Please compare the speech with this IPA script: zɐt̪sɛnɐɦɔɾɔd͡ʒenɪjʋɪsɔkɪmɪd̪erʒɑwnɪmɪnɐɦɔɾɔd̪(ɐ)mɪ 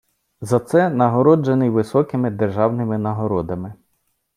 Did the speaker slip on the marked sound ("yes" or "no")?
no